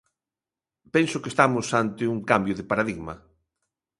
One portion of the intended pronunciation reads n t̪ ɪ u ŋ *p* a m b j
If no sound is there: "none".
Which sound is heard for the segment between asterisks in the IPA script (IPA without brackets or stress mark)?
k